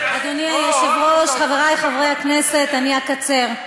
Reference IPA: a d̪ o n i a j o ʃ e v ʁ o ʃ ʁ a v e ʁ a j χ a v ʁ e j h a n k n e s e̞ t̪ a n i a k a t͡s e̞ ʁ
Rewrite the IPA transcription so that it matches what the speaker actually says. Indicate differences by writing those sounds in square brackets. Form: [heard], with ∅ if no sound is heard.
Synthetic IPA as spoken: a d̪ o n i a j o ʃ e v ʁ o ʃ [χ] a v e ʁ a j χ a v ʁ e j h a [∅] k n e s e̞ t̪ a n i a k a t͡s e̞ ʁ